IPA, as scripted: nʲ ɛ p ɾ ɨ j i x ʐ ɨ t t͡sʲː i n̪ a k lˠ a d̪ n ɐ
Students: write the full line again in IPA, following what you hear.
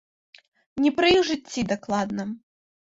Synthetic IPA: nʲ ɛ p ɾ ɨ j i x ʐ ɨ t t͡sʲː i d̪ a k lˠ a d̪ n ɐ